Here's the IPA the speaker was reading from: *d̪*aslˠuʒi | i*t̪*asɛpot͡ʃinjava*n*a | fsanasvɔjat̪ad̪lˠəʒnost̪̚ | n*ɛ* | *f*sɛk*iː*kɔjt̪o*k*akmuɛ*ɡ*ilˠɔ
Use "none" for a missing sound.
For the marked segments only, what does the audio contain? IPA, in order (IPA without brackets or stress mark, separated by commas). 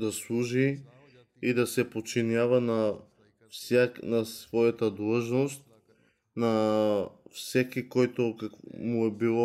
d̪, d̪, n, a, f, i, k, b